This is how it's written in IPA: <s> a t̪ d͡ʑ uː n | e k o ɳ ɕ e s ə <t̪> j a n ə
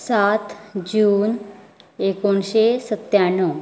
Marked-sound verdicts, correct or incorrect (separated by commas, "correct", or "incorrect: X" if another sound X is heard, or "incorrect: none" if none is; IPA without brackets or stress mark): correct, correct